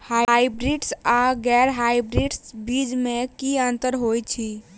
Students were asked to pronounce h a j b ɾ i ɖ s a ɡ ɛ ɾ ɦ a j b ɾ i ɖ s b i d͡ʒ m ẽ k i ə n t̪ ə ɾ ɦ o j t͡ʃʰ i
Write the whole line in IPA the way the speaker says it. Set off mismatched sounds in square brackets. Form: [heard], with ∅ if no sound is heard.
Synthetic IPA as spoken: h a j b ɾ i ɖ s a ɡ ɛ ɾ ɦ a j b ɾ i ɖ s b i d͡ʒ m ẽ k i ə n t̪ ə ɾ ɦ o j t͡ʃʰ i